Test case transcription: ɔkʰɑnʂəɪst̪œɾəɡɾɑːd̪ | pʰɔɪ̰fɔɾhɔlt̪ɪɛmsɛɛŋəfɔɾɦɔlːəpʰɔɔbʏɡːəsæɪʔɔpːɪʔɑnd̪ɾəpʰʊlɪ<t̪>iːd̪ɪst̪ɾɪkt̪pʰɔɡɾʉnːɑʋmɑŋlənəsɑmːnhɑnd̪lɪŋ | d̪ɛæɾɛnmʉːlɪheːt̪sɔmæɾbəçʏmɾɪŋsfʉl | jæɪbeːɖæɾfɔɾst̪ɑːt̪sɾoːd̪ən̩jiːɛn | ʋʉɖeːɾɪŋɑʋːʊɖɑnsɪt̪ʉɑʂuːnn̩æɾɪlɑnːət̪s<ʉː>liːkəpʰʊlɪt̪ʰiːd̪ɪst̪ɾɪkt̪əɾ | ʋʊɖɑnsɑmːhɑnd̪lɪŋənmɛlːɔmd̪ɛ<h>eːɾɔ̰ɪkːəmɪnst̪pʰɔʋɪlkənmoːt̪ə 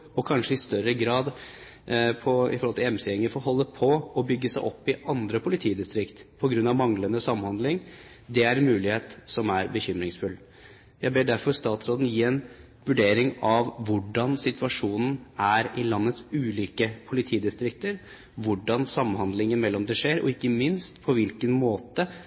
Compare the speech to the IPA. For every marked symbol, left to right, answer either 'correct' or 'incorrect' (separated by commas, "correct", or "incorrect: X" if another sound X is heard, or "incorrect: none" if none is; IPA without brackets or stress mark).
incorrect: t̪ʰ, correct, incorrect: ʂ